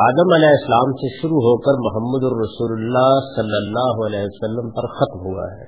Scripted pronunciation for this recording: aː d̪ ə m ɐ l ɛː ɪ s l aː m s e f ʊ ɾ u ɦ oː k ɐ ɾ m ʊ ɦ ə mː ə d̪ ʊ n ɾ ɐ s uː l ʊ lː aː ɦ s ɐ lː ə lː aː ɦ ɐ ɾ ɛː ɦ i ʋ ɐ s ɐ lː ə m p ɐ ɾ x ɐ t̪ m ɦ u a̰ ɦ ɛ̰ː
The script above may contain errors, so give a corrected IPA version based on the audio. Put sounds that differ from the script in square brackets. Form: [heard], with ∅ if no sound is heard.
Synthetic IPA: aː d̪ ə m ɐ l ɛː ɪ s l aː m s e [ʃ] ʊ ɾ u ɦ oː k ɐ ɾ m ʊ ɦ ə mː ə d̪ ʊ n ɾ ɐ s uː l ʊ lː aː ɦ s ɐ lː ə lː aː ɦ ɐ [l] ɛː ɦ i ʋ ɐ s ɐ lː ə m p ɐ ɾ x ɐ t̪ m ɦ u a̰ ɦ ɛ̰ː